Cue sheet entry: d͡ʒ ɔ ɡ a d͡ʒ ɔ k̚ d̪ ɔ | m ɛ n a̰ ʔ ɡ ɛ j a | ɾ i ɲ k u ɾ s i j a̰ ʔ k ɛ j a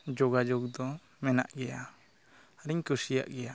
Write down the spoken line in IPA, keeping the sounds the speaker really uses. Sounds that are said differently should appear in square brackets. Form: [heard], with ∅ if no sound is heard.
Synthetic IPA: d͡ʒ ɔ ɡ a d͡ʒ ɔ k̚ d̪ ɔ | m ɛ n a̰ ʔ ɡ ɛ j a | ɾ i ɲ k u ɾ s i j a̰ ʔ [ɡ] ɛ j a